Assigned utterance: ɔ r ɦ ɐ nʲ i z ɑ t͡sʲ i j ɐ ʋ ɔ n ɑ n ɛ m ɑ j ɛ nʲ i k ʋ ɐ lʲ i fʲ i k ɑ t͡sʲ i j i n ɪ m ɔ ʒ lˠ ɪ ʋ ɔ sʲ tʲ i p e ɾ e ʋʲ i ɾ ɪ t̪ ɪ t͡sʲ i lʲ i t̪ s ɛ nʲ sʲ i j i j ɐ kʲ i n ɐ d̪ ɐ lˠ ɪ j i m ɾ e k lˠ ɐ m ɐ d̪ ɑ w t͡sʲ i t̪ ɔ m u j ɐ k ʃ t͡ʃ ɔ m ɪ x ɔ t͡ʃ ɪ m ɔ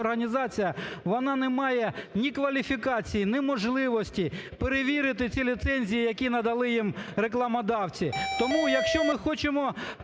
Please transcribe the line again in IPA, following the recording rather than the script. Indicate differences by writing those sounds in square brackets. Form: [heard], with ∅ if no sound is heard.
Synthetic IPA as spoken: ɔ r ɦ ɐ nʲ i z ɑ t͡sʲ i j ɐ ʋ ɔ n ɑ n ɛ m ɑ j ɛ nʲ i k ʋ ɐ lʲ i fʲ i k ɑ t͡sʲ i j i n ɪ m ɔ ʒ lˠ ɪ ʋ ɔ sʲ tʲ i p e ɾ e ʋʲ i ɾ ɪ t̪ ɪ t͡sʲ i lʲ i t̪ s ɛ nʲ [zʲ] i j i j ɐ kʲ i n ɐ d̪ ɐ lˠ ɪ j i m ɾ e k lˠ ɐ m ɐ d̪ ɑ w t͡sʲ i t̪ ɔ m u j ɐ k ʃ t͡ʃ ɔ m ɪ x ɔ t͡ʃ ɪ m ɔ